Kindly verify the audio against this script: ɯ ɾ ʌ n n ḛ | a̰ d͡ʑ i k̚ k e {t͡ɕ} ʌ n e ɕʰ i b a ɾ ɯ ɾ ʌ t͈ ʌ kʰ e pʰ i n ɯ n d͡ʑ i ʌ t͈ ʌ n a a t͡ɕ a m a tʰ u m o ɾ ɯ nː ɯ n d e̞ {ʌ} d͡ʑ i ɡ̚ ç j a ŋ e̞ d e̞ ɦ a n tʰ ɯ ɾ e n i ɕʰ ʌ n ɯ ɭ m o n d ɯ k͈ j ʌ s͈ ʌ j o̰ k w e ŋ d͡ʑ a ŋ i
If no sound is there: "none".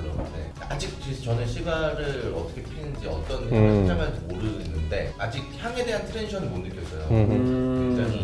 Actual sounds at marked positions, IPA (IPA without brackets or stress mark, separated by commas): t͡ɕ, a